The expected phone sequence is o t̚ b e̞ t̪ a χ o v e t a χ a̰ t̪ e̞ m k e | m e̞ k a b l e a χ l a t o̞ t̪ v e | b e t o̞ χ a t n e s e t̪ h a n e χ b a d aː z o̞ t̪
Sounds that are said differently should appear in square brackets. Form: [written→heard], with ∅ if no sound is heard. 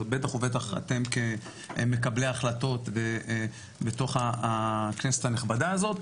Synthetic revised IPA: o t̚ b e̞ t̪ a χ o v e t a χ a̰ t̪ e̞ m k e | m e̞ k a b l e a χ l a t o̞ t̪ v e | b e t o̞ χ a [t→k] n e s e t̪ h a n e χ b a d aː z o̞ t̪

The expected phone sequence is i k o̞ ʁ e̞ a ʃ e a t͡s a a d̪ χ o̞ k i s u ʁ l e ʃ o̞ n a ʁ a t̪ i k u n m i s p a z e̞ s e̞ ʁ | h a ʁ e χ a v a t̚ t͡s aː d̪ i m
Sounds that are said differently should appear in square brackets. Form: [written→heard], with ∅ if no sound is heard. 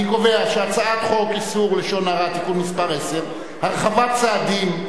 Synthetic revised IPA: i k o̞ [ʁ→v] e̞ a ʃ e a t͡s a a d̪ χ o̞ k i s u ʁ l e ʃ o̞ n a ʁ a t̪ i k u n m i s p a [z→ʁ] e̞ s e̞ ʁ | h a ʁ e χ a v a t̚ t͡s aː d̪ i m

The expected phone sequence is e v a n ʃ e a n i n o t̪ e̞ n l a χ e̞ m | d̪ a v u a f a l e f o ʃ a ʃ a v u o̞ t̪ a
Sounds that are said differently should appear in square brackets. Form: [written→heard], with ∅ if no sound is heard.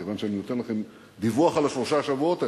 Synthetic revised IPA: e v a n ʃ e a n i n o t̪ e̞ n l a χ e̞ m | d̪ [a→i] v u a [f→χ] a l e f o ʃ a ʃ a v u o̞ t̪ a

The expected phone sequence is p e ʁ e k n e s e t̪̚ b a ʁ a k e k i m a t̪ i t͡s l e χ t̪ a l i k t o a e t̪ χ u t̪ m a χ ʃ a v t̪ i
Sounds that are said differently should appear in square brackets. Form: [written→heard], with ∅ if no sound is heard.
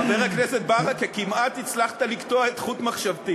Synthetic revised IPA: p e ʁ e k n e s e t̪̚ b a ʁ a k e k i m a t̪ i t͡s l [e→a] χ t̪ a l i k t o a e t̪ χ u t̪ m a χ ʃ a v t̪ i

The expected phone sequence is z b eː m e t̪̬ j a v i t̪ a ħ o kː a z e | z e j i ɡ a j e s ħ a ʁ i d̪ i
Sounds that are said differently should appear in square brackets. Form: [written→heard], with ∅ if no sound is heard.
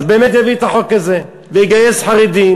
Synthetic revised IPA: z b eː m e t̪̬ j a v i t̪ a ħ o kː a z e | [z→v] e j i ɡ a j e s ħ a ʁ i d̪ i

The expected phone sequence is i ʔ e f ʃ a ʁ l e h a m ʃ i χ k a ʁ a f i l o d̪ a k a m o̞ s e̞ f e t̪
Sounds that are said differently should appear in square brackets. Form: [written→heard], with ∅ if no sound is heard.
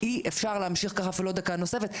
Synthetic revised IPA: i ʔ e f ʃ a ʁ l e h a m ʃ i χ k a [ʁ→χ] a f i l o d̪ a k a [m→n] o̞ s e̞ f e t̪

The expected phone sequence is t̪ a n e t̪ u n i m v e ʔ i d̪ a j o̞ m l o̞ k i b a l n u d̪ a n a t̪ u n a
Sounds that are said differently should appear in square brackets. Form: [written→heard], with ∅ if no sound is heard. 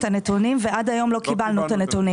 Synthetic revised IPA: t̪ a n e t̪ u n i m v e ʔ [i→a] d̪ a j o̞ m l o̞ k i b a l n u [d̪→t̪] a n [a→e] t̪ u n [a→i]

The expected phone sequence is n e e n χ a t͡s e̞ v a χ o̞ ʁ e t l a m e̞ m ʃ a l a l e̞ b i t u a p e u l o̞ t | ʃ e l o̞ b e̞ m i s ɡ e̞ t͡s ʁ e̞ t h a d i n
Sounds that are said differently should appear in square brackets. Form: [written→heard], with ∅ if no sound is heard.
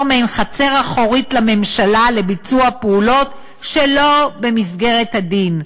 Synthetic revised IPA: [n→m] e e n χ a t͡s e̞ [v→ʁ] a χ o̞ ʁ [e→i] t l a m e̞ m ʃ a l a l e̞ b i [t→t͡s] u a p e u l o̞ t | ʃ e l o̞ b e̞ m i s ɡ e̞ [t͡s→∅] ʁ e̞ t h a d i n

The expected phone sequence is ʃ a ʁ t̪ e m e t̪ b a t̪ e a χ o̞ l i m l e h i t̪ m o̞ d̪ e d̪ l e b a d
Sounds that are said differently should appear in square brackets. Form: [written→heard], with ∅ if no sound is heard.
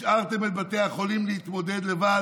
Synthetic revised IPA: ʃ a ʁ t̪ e m e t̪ b a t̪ e a χ o̞ l i m l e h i t̪ m o̞ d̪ e d̪ l e [b→v] a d

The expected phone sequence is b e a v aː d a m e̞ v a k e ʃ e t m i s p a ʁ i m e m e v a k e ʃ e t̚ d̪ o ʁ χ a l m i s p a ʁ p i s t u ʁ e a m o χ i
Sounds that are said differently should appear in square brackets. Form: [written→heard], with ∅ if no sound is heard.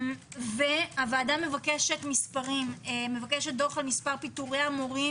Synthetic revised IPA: [b→v] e a v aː d a m e̞ v a k e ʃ e t m i s p a ʁ i m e m e v a k e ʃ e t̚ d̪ o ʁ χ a l m i s p a ʁ p i [s→∅] t u ʁ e a m o [χ→ʁ] i

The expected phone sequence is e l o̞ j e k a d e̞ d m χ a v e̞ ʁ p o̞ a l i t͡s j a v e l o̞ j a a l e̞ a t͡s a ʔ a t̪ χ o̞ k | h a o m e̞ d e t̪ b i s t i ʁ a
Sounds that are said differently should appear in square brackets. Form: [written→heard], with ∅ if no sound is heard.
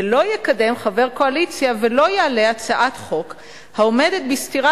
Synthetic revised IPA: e l o̞ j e k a d e̞ [d→∅] m χ a v e̞ ʁ [p→k] o̞ a l i t͡s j a v e l o̞ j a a l e̞ a t͡s a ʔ a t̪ χ o̞ k | h a o m e̞ d e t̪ b i s t i ʁ a

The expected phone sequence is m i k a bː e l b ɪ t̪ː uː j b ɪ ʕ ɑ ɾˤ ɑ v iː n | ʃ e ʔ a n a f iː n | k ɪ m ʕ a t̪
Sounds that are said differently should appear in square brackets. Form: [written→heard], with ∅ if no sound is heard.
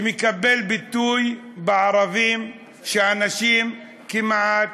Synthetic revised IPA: m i k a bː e l b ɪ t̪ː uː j b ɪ ʕ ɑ ɾˤ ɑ v iː [n→m] | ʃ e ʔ a n a [f→ʃ] iː [n→m] | k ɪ m ʕ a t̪

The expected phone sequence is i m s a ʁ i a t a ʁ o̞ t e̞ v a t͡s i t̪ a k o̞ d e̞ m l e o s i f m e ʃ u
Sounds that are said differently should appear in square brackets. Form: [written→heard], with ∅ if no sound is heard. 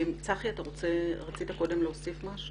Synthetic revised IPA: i m [s→t͡s] a [ʁ→χ] i a t a ʁ o̞ [t→t͡s] e̞ [v→ʁ] a t͡s i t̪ a k o̞ d e̞ m l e o s i f m [e→a] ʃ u

